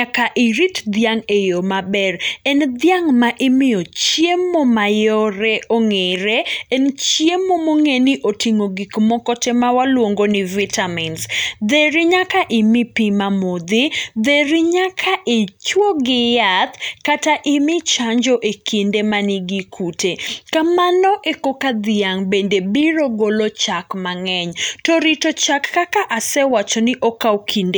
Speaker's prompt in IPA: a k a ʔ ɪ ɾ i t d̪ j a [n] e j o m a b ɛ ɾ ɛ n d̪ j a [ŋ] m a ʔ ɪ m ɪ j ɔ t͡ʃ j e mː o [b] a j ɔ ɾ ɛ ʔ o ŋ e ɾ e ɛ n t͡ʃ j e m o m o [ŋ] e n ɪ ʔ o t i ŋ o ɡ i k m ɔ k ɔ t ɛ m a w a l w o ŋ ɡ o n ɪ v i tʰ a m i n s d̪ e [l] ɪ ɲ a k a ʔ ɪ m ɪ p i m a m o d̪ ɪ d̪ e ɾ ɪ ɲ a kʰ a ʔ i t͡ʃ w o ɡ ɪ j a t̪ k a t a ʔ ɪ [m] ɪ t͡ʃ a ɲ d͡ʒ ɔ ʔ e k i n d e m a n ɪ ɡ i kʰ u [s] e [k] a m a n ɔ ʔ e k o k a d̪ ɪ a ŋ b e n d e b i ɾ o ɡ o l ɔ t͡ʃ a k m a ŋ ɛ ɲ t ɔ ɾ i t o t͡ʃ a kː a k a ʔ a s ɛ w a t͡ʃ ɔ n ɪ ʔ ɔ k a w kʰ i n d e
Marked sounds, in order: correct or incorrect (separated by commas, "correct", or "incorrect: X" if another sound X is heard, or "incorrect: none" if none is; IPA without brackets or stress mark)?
incorrect: ŋ, correct, incorrect: m, correct, incorrect: ɾ, correct, incorrect: t, correct